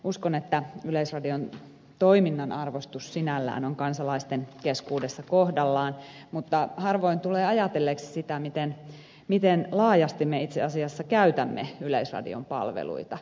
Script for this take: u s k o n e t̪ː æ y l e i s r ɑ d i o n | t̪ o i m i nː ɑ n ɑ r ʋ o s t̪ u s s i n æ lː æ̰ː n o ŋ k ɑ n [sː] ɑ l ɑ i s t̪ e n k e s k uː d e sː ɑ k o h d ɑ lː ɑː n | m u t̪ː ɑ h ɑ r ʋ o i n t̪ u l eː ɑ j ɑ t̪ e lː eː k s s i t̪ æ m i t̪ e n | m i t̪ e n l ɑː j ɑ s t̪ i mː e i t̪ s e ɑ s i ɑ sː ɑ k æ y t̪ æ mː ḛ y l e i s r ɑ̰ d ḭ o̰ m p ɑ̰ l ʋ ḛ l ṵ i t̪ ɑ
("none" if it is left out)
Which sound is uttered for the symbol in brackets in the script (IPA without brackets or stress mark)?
s